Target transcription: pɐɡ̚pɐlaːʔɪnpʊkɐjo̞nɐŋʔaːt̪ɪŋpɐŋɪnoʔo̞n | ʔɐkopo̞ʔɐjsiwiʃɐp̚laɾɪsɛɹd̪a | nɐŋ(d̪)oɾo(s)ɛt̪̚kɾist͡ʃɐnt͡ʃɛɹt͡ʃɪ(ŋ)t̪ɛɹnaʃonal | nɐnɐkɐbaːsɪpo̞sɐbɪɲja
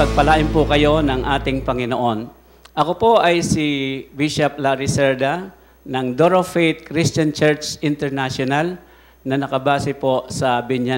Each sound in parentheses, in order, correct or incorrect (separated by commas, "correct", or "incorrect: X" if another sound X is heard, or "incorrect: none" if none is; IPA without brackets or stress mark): correct, incorrect: f, incorrect: n